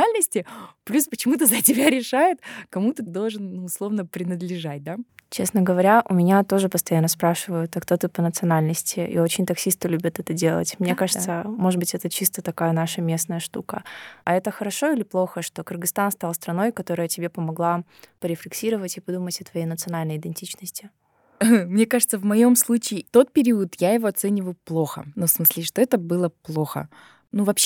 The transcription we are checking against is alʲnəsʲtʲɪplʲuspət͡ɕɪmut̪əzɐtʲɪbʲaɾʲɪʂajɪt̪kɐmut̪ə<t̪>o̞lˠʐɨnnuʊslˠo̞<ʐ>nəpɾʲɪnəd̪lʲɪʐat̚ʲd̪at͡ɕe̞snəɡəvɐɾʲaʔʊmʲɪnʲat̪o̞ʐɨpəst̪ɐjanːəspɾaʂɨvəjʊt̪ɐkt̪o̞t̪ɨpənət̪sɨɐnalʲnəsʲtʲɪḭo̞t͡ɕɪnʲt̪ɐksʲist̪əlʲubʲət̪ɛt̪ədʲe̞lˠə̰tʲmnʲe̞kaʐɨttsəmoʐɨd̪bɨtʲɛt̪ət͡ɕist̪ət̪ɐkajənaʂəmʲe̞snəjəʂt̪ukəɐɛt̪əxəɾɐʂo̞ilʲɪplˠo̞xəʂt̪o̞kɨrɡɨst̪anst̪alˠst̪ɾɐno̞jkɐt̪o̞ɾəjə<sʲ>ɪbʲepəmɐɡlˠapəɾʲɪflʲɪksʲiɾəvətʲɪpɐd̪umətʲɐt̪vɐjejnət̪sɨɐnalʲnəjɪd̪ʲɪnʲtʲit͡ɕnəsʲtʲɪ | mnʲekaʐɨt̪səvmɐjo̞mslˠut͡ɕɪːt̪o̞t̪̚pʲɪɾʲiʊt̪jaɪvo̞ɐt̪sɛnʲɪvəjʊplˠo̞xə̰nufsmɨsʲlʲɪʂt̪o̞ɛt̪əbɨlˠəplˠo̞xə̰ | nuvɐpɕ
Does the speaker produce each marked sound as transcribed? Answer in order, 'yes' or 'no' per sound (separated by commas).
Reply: no, no, no